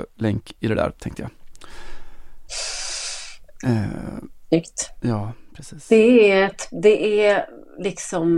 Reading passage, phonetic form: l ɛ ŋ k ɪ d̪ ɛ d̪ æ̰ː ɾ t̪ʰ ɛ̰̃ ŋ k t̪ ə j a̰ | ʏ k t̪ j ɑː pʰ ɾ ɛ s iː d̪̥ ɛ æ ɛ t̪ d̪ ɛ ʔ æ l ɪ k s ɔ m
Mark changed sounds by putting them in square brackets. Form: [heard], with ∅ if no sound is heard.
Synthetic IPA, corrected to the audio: l ɛ ŋ k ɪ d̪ ɛ d̪ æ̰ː ɾ t̪ʰ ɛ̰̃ ŋ k t̪ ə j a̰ | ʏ k t̪ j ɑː pʰ ɾ ɛ s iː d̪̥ ɛ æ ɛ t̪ d̪ ɛ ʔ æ l ɪ k s ɔ m